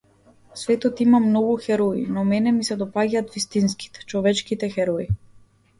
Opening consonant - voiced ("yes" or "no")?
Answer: no